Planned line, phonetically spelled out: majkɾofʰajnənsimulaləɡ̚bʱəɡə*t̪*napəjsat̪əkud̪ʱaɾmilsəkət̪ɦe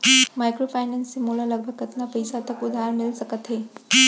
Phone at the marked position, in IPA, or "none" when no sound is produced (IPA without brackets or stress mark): t̪